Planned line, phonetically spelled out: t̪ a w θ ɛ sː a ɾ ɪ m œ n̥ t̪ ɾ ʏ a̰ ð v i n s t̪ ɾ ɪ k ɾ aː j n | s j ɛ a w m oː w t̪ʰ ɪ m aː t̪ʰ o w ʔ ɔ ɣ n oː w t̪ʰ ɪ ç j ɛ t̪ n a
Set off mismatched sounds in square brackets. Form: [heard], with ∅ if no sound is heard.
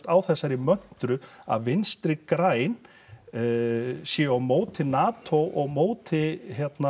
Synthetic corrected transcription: t̪ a w θ ɛ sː a ɾ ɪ m œ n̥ t̪ ɾ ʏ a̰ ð v [ɪ] n s t̪ ɾ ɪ k ɾ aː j n | s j ɛ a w m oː w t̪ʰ ɪ [n] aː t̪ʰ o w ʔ ɔ ɣ [m] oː w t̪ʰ ɪ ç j ɛ t̪ n a